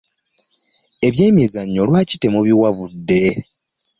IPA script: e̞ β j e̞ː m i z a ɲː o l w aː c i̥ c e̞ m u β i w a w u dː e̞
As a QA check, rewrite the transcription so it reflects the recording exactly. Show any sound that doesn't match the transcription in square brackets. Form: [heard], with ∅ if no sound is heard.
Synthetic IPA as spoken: e̞ β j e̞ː m i z a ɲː o l w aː c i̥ [t] e̞ m u β i w a [β] u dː e̞